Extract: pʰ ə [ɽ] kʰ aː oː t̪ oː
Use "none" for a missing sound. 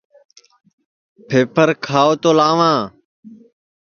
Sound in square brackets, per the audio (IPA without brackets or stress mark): ɾ